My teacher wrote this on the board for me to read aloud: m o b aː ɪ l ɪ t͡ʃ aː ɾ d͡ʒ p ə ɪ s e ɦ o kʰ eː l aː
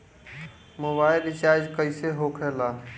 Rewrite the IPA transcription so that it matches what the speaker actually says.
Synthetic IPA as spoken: m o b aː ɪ l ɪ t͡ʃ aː ɾ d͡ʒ k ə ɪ s e ɦ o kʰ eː l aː